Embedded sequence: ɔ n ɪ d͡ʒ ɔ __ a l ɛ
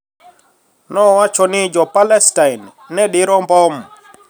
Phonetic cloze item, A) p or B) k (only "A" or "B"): A